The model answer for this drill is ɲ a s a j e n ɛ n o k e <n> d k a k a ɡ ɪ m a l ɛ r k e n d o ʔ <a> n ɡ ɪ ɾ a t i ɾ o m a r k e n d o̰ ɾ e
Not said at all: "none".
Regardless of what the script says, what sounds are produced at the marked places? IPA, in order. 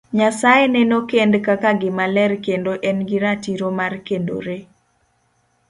n, ɛ

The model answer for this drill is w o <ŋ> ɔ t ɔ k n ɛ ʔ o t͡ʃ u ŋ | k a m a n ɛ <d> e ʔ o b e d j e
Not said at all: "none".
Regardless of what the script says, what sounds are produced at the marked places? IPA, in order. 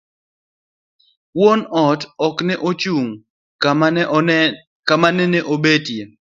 n, n

